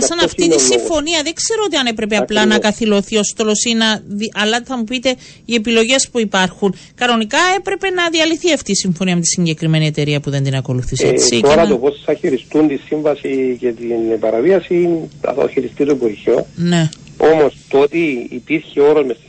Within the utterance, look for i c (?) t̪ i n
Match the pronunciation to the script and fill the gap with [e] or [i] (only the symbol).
e